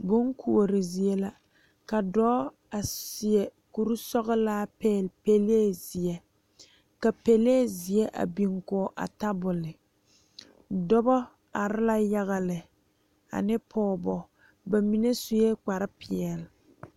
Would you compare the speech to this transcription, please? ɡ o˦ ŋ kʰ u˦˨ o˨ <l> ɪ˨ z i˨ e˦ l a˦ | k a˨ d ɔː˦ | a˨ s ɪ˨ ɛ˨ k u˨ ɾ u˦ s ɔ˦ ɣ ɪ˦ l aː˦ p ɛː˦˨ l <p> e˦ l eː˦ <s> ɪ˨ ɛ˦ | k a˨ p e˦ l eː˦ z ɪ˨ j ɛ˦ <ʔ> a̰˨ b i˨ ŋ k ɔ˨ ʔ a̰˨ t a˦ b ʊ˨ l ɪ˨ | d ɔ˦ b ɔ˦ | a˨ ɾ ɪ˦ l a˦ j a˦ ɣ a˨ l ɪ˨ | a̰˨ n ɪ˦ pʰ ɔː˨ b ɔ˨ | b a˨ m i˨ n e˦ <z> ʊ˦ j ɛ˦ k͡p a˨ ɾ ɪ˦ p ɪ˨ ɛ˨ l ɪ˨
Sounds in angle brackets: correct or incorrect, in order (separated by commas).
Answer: incorrect, correct, incorrect, correct, incorrect